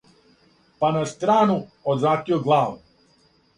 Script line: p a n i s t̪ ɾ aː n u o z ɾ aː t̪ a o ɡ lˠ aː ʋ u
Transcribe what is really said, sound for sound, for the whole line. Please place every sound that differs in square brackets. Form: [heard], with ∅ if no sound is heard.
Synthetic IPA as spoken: p a n [a] s t̪ ɾ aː n u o z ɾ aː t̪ [i] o ɡ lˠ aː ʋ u